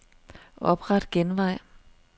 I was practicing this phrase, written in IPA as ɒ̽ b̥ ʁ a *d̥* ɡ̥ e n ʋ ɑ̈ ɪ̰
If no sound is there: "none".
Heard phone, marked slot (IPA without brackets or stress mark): d̥